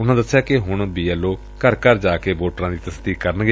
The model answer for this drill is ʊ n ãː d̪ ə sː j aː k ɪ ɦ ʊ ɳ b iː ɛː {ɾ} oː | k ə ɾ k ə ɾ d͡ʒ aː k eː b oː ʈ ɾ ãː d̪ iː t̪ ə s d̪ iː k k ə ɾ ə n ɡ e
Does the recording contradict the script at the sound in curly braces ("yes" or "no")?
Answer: yes